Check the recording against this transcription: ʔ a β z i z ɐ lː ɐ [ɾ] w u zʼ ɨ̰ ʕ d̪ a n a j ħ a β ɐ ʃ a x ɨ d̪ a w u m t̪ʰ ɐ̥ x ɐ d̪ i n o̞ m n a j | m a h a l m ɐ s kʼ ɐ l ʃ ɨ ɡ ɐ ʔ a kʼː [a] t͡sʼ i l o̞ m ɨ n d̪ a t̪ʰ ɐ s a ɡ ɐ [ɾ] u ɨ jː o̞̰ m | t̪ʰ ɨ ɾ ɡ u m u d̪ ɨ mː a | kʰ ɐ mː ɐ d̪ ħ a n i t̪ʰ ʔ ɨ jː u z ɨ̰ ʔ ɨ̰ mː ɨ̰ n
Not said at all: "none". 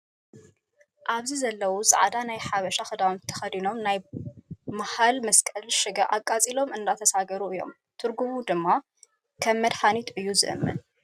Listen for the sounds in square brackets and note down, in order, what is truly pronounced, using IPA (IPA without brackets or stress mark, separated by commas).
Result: none, a, ɾ